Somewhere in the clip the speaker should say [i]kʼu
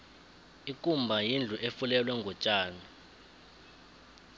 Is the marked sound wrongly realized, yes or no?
no